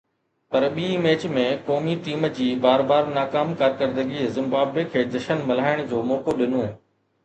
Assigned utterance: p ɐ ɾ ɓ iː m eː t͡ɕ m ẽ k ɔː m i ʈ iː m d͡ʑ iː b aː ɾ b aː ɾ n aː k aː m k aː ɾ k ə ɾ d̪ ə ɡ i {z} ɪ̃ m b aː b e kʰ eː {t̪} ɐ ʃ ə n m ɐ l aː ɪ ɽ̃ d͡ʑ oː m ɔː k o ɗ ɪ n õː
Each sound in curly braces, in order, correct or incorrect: correct, incorrect: d̪

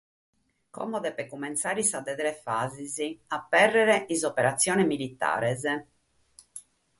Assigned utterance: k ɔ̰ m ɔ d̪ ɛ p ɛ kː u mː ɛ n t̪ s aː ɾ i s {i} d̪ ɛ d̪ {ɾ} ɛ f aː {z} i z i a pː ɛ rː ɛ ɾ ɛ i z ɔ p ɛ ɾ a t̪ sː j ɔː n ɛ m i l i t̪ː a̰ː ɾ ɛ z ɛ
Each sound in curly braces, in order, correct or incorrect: incorrect: a, correct, correct

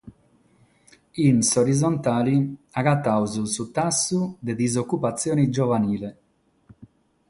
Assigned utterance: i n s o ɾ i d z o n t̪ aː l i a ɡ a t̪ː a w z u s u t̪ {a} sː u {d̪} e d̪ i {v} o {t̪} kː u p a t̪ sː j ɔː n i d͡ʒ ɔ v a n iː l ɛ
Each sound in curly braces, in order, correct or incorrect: correct, correct, incorrect: z, incorrect: none

